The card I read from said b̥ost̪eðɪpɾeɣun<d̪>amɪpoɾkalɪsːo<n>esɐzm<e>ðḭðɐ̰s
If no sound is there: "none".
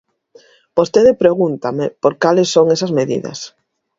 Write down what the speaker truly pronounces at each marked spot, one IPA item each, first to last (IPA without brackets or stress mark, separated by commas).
t̪, ŋ, e